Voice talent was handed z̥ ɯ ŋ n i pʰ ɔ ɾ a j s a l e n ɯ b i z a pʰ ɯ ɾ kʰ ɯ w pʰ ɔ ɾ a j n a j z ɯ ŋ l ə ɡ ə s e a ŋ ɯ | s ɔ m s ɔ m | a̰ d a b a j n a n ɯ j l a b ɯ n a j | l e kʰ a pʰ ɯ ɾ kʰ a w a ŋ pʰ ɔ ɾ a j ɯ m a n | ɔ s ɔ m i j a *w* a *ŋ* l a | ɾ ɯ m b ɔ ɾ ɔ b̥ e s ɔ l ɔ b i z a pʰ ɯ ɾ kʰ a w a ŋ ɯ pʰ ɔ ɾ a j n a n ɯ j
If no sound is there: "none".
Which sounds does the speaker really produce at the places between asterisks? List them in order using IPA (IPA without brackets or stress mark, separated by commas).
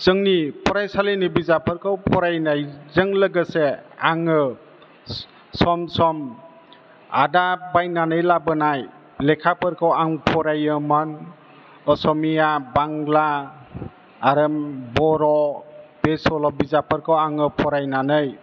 b, ŋ